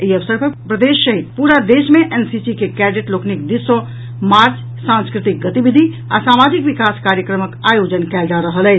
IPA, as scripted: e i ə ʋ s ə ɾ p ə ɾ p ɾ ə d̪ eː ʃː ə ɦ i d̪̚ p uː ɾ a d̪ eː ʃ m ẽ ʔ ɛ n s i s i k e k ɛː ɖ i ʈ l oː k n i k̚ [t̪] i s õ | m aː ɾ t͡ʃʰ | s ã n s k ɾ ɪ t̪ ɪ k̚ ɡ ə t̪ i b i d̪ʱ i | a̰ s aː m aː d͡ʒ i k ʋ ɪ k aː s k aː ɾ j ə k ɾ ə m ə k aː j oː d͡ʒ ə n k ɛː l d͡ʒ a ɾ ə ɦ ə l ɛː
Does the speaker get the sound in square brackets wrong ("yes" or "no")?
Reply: yes